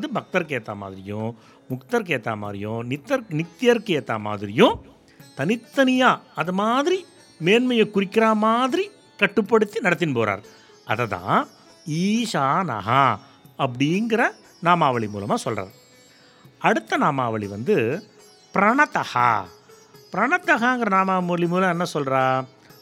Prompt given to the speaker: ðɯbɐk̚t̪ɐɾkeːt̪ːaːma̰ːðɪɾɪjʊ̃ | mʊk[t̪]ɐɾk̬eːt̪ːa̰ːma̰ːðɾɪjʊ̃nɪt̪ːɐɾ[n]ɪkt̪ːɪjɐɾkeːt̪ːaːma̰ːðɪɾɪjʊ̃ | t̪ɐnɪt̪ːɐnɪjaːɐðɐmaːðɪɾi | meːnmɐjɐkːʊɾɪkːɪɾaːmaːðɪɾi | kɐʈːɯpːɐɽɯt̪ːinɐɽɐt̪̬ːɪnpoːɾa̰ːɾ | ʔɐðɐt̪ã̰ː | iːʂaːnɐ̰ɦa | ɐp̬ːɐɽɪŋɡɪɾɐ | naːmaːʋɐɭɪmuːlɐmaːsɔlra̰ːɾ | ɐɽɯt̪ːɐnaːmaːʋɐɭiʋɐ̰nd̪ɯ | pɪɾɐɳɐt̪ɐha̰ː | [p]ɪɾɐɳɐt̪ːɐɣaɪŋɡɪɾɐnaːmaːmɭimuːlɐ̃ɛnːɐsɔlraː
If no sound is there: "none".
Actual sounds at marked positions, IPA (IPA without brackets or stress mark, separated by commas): t̪, n, p